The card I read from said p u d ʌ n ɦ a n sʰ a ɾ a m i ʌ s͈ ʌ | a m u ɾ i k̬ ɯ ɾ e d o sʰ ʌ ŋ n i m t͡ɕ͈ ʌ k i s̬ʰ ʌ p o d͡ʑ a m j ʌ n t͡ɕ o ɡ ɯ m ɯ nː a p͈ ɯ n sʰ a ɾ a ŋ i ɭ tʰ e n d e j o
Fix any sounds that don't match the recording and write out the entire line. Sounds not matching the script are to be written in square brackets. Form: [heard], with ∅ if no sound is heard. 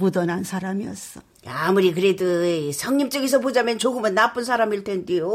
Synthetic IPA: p u d ʌ n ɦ a n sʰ a ɾ a m i ʌ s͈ ʌ | a m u ɾ i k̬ ɯ ɾ e d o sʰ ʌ ŋ [ɲ] i m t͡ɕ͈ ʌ [ɡ] i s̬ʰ ʌ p o d͡ʑ a m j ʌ n t͡ɕ o ɡ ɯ m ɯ nː a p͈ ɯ n sʰ a ɾ a [m] i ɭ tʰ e n d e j o